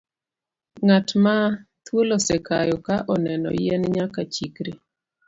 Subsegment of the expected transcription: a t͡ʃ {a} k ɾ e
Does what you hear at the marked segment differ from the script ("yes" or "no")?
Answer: yes